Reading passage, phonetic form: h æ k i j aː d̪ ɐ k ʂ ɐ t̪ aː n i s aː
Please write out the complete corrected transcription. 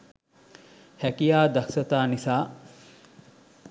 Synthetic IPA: h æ k i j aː d̪ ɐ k s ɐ t̪ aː n i s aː